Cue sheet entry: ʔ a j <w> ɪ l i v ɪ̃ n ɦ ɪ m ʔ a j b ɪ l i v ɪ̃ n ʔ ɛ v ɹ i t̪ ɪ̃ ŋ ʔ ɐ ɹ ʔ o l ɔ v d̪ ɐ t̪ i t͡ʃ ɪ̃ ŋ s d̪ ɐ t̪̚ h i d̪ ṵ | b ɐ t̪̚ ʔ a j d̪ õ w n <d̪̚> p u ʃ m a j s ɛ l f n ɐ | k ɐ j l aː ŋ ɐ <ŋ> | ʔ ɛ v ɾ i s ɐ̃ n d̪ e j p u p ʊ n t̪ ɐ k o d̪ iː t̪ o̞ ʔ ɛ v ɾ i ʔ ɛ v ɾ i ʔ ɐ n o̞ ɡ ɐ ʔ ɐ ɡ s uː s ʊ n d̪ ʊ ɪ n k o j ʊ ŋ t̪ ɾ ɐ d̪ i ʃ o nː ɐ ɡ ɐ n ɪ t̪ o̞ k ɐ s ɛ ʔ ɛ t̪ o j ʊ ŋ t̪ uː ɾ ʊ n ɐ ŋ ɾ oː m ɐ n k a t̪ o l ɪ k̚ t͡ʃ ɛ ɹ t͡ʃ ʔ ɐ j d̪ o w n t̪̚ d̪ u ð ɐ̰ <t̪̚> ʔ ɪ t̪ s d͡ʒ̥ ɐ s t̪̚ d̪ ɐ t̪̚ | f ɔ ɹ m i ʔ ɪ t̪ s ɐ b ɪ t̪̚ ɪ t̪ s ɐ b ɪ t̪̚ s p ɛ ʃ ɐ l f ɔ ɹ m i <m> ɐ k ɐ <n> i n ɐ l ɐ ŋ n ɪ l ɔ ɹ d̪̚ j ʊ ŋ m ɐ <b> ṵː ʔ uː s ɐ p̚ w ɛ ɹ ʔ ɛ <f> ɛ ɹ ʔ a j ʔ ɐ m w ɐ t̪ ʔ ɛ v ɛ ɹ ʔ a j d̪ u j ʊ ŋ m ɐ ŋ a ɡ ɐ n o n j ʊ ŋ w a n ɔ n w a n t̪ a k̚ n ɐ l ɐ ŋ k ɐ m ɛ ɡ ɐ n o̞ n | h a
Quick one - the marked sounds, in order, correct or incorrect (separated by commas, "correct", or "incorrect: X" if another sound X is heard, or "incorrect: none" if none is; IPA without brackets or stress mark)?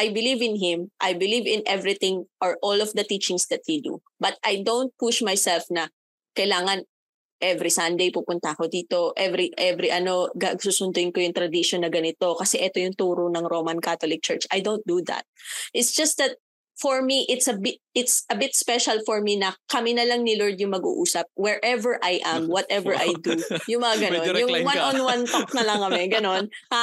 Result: incorrect: b, incorrect: t̪̚, incorrect: n, correct, incorrect: n, incorrect: m, incorrect: ɡ, incorrect: v